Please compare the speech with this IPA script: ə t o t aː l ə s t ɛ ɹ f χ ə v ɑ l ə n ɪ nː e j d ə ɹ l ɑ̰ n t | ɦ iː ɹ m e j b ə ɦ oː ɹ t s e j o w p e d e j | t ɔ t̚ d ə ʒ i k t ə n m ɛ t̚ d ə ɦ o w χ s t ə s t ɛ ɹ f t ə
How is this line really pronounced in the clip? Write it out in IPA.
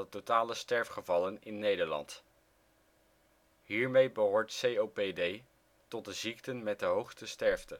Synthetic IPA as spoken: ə t o t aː l ə s t ɛ ɹ f χ ə v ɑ l ə n ɪ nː e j d ə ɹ l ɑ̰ n t | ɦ iː ɹ m e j b ə ɦ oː ɹ t s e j o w p e d e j | t ɔ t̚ d ə z i k t ə n m ɛ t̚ d ə ɦ o w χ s t ə s t ɛ ɹ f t ə